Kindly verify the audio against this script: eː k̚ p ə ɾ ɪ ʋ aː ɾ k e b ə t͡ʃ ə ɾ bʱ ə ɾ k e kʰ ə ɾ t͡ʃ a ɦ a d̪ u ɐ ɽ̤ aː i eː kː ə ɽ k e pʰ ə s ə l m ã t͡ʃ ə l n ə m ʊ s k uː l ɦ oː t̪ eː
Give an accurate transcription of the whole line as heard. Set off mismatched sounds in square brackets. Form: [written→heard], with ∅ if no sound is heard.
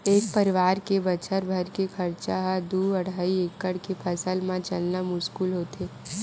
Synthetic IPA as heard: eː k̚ p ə ɾ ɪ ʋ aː ɾ k e b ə t͡ʃ ə ɾ bʱ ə ɾ k e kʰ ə ɾ t͡ʃ a ɦ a d̪ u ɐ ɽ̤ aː i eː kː ə ɽ k e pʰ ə s ə l m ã t͡ʃ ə l n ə m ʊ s k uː l ɦ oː t̪ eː

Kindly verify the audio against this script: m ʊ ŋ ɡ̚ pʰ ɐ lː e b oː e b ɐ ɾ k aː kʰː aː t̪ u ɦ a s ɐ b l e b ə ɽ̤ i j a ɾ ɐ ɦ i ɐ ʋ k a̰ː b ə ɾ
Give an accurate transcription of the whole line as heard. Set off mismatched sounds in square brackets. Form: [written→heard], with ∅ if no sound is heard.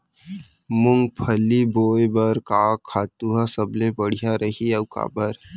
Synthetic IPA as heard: m ʊ ŋ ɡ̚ pʰ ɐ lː [e→i] b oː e b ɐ ɾ k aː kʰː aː t̪ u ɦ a s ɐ b l e b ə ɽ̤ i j a ɾ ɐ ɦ i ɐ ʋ k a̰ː b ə ɾ

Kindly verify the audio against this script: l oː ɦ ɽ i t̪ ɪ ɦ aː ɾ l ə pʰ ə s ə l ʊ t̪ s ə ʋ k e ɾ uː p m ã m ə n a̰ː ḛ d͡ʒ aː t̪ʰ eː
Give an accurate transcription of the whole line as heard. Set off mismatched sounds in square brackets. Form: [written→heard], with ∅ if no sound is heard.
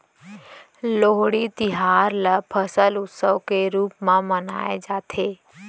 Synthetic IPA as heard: l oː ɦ ɽ i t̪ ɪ ɦ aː ɾ l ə pʰ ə s ə l ʊ t̪ s ə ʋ k e ɾ uː p m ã m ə n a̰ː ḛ d͡ʒ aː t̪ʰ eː

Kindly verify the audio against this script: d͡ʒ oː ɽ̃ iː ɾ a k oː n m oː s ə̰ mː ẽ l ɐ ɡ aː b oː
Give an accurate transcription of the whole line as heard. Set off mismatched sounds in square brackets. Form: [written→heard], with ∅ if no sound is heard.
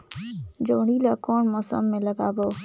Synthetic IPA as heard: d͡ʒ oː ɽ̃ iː [ɾ→l] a k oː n m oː s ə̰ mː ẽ l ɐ ɡ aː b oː

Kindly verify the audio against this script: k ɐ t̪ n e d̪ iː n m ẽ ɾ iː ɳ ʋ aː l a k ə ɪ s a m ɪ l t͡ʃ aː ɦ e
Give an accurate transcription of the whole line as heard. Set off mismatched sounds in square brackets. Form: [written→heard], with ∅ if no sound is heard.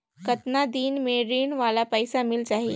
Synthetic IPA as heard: k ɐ t̪ n [e→a] d̪ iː n m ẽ ɾ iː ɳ ʋ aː l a [k→p] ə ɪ s a m ɪ l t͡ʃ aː ɦ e

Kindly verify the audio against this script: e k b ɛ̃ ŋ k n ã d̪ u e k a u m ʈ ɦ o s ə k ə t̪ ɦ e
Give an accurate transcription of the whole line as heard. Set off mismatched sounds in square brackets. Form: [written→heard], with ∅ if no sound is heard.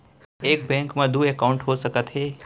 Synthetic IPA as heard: e k b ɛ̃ ŋ k [n→m] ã d̪ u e k a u [m→ɳ] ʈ ɦ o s ə k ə t̪ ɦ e

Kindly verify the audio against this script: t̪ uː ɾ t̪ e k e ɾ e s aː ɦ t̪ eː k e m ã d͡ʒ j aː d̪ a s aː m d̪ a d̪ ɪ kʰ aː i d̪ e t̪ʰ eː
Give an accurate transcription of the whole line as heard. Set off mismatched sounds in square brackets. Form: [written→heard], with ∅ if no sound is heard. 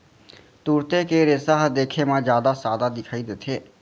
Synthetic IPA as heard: t̪ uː ɾ t̪ e k e ɾ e s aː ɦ [t̪→d̪] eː [k→kʰ] e m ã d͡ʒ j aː d̪ a s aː [m→∅] d̪ a d̪ ɪ kʰ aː i d̪ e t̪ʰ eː

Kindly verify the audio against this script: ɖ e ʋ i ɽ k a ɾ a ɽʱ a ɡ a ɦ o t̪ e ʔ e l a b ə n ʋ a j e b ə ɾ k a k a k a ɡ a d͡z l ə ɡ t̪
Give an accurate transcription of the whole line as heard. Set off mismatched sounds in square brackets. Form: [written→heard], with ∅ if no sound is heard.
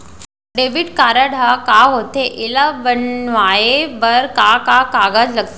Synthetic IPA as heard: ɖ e ʋ i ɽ k a ɾ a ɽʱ a [ɡ→k] a ɦ o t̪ e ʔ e l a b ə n ʋ a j e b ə ɾ k a k a k a ɡ a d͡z l ə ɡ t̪

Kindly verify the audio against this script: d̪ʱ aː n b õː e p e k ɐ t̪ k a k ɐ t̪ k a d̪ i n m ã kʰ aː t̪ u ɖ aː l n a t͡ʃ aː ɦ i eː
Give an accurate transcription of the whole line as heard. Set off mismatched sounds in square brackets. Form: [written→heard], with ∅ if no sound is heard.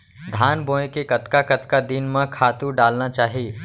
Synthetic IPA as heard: d̪ʱ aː n b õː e [p→k] e k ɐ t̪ k a k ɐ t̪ k a d̪ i n m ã kʰ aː t̪ u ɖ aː l n a t͡ʃ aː ɦ i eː

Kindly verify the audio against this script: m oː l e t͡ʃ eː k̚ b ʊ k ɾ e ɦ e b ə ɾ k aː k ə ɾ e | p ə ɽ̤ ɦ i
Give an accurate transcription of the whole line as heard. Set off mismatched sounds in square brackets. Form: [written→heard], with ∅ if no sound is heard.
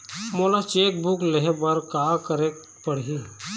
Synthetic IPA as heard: m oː l [e→a] t͡ʃ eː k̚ b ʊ k [ɾ→l] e ɦ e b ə ɾ k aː k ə ɾ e | p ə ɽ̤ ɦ i

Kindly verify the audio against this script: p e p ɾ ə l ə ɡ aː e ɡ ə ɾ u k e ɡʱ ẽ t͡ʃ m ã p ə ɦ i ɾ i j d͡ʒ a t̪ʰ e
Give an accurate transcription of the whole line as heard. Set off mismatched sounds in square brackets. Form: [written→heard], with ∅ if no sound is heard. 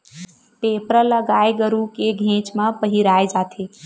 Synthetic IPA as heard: p e p ɾ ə l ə ɡ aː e ɡ ə ɾ u k e ɡʱ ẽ t͡ʃ m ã p ə ɦ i ɾ [i→a] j d͡ʒ a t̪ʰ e

